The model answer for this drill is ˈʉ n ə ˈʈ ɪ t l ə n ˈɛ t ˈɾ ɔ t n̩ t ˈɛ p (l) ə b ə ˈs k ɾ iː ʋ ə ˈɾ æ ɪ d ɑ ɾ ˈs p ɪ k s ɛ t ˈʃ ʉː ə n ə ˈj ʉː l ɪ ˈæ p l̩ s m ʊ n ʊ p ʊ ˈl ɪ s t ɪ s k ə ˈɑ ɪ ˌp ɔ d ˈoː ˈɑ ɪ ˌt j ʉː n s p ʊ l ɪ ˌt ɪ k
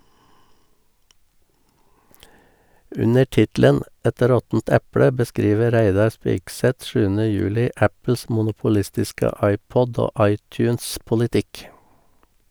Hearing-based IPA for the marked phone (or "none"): ɽ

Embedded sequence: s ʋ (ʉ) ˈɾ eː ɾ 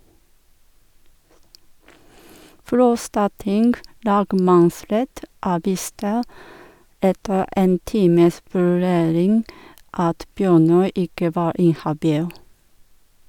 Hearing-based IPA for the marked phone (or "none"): ʉ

